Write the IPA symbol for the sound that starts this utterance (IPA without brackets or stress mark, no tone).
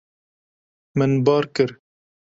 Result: m